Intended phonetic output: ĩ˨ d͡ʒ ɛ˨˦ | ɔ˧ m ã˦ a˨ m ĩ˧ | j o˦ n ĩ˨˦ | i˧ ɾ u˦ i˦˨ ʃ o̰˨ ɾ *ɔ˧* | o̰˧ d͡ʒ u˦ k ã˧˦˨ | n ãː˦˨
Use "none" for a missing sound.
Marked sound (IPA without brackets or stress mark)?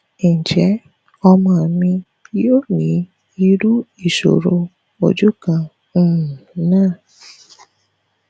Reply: o˧